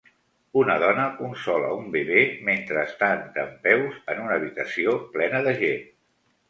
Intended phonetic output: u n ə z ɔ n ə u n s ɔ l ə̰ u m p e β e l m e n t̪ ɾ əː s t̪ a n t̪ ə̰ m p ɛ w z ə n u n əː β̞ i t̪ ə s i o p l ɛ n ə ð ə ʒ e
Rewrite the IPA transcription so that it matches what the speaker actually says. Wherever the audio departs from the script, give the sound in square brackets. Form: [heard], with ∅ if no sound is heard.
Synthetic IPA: u n ə [ð] ɔ n ə u n s ɔ l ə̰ u m [b] e β e [∅] m e n t̪ ɾ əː s t̪ a n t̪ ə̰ m p ɛ w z ə n u n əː β̞ i t̪ ə s i o p l ɛ n ə ð ə ʒ e